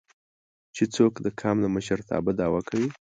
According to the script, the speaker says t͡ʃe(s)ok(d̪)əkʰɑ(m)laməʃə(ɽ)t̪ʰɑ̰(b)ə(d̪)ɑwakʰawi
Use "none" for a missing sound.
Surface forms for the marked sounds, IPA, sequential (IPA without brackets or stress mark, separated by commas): t͡s, d̪, m, ɾ, b, d̪